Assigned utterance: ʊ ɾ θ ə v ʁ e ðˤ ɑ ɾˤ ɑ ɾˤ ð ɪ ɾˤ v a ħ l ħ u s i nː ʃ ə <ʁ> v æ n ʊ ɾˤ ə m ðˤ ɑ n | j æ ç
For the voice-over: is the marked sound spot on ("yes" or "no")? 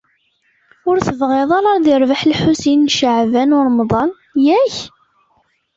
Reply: no